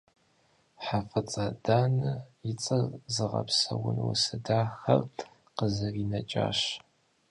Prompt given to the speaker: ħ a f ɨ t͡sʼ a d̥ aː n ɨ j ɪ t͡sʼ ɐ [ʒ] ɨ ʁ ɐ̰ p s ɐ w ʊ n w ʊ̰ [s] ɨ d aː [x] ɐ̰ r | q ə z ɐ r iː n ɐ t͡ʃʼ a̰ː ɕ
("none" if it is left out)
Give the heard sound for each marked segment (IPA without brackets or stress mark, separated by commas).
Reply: z, s, x